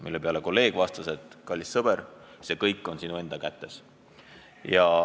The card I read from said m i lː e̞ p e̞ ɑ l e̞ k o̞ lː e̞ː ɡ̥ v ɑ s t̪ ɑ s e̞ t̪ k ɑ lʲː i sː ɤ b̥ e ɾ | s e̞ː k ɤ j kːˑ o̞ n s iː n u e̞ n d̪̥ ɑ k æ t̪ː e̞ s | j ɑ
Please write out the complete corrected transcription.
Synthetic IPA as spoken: m i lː e̞ p e̞ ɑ l e̞ k o̞ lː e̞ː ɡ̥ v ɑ s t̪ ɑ s e̞ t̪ k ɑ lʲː i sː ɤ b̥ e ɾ | s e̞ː k ɤ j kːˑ o̞ n s i n u e̞ n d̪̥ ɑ k æ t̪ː e̞ s | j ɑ